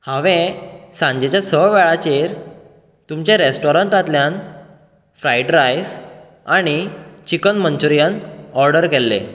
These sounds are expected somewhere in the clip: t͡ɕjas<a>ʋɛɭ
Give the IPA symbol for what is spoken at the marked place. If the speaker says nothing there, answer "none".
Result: ə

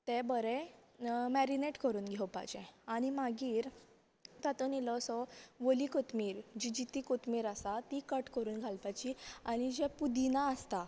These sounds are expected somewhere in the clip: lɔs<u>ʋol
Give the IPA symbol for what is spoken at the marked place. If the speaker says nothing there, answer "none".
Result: ɔ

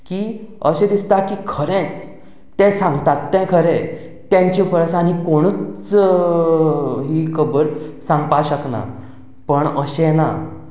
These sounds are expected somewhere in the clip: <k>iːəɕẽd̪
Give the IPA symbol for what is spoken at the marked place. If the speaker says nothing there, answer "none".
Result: k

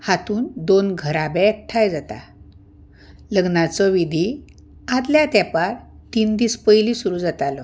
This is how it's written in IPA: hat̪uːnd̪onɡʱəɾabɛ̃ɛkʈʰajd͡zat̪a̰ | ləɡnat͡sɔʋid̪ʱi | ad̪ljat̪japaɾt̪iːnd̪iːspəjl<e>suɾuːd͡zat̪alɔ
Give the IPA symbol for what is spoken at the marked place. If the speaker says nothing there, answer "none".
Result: i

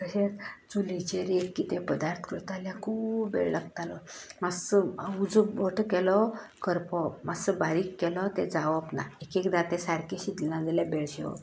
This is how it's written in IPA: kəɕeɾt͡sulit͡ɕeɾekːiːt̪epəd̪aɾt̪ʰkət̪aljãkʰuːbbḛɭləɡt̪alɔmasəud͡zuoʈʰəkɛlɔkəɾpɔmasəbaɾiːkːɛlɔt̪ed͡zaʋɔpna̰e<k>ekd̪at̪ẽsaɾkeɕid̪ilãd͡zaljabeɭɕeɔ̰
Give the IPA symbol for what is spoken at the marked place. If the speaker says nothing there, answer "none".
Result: k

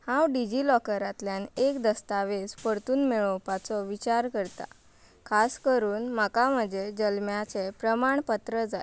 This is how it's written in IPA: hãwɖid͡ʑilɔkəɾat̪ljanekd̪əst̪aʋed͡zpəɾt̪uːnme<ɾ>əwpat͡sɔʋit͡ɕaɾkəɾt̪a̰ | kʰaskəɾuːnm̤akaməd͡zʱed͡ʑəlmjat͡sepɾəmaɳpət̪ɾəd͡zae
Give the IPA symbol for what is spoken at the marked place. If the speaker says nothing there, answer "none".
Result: ɭ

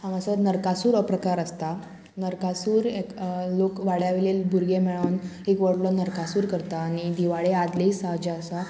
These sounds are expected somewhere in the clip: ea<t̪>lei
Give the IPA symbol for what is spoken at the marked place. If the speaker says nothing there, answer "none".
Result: d̪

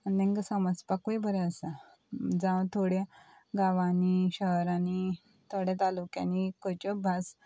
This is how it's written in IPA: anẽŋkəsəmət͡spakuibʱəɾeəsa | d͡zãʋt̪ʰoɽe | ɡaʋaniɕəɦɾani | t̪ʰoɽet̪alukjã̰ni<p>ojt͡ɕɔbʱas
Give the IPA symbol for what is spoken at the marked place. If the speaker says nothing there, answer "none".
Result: k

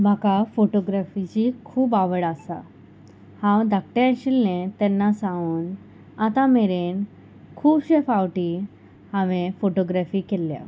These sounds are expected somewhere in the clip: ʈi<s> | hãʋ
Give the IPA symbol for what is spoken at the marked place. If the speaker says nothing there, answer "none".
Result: none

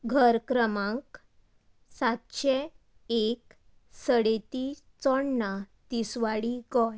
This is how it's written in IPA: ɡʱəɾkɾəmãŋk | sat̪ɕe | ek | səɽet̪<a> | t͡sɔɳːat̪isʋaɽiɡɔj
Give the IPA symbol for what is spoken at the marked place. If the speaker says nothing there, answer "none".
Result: i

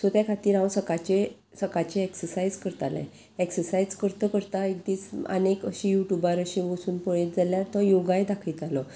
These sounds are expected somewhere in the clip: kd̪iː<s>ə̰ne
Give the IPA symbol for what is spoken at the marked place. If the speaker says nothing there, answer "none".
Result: t͡s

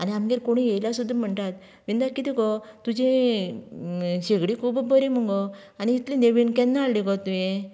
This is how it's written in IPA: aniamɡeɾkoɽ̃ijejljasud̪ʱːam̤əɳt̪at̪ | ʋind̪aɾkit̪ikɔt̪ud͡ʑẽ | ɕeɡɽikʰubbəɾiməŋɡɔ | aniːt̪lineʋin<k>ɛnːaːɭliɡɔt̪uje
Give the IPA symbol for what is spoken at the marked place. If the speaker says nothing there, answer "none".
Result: k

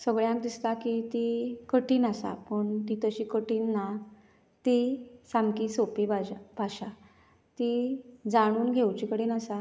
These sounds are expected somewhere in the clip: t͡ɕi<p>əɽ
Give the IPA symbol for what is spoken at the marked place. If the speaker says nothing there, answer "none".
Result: k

